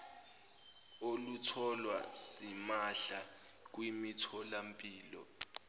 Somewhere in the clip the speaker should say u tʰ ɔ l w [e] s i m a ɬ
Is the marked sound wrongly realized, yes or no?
yes